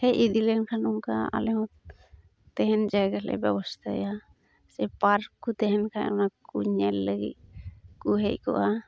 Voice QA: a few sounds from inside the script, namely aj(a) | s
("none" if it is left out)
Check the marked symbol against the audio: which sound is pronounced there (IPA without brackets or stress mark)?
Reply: a